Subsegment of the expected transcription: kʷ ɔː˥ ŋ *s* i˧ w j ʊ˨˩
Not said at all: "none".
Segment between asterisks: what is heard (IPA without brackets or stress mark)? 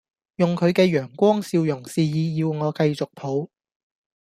s